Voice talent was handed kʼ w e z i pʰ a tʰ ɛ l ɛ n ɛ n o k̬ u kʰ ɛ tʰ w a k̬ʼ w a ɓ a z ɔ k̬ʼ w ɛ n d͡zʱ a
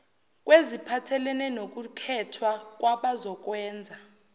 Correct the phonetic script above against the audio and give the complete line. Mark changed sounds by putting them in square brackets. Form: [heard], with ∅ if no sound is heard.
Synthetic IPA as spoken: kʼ w e z i pʰ a tʰ ɛ l ɛ n ɛ n o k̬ u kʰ ɛ tʰ w a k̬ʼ w a ɓ a z ɔ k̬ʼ w [ɛː] n d͡zʱ a